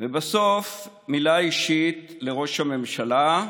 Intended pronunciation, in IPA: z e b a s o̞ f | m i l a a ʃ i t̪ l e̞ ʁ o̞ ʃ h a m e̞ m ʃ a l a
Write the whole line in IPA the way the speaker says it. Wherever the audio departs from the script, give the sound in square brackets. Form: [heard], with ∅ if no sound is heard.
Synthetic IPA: [v] e b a s o̞ f | m i l a [i] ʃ i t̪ l e̞ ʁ o̞ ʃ h a m e̞ m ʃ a l a